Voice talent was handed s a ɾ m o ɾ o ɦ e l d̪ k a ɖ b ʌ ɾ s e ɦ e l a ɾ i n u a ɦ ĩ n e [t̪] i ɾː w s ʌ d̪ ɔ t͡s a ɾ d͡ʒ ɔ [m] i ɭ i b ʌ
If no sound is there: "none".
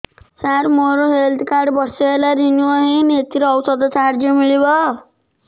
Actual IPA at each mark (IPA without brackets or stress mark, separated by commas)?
t̪, m